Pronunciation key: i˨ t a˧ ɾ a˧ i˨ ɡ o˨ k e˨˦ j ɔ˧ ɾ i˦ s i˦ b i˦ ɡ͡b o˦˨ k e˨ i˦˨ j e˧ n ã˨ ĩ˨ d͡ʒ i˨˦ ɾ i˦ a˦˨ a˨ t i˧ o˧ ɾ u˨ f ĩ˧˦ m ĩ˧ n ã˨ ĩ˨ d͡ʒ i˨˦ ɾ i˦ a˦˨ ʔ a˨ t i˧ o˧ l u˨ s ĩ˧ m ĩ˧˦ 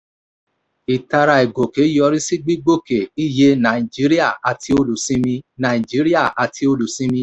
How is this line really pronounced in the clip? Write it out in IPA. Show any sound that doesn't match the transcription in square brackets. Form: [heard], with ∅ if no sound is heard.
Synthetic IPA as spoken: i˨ t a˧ ɾ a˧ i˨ ɡ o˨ k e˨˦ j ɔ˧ ɾ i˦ s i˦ [ɡ͡b] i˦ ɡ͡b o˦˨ k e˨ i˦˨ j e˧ n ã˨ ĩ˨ d͡ʒ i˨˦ ɾ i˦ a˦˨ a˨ t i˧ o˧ [l] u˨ [s] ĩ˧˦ m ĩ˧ n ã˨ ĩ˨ d͡ʒ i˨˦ ɾ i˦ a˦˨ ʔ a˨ t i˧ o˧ l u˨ s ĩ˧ m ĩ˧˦